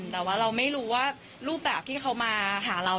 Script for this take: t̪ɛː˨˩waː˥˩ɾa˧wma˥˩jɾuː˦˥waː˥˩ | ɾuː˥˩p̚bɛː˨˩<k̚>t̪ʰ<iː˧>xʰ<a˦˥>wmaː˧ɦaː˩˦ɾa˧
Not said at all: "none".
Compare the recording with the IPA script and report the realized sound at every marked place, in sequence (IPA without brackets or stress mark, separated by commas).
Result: p̚, iː˥˩, a˦˥